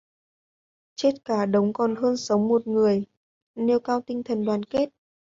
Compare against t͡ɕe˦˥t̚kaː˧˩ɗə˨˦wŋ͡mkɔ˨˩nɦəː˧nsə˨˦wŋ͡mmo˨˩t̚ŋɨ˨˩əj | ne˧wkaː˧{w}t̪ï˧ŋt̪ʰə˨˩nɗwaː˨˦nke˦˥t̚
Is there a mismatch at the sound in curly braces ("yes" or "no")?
no